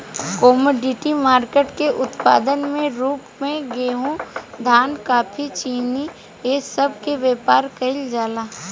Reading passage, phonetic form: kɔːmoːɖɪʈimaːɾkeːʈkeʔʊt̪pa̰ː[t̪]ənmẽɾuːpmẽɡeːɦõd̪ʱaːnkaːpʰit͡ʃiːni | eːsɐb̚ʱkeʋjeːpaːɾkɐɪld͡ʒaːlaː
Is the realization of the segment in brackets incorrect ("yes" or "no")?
yes